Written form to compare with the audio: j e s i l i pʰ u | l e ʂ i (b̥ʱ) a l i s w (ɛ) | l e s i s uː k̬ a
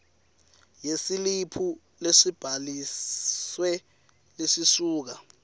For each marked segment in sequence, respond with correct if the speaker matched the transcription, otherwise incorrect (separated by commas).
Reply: correct, correct